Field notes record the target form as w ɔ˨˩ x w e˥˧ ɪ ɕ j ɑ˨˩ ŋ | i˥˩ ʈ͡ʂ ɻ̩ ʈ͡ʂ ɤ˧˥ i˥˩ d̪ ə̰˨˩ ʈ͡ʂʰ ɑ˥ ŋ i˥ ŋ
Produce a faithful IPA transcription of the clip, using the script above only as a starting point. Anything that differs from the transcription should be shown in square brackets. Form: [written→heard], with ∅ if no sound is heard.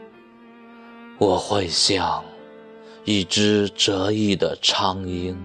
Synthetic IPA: w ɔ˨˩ x w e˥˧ ɪ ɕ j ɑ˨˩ ŋ | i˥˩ ʈ͡ʂ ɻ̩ ʈ͡ʂ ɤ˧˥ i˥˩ d̪ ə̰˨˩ ʈ͡ʂʰ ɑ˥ ŋ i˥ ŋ